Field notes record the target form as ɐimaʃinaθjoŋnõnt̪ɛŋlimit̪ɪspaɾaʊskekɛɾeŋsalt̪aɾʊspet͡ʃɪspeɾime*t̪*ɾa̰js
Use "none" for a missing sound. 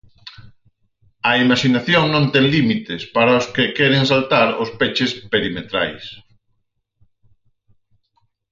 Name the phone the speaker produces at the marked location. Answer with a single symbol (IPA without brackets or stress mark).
t̪